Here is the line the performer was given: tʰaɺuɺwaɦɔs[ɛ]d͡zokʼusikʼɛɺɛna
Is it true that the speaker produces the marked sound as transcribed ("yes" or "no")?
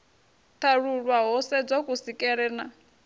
yes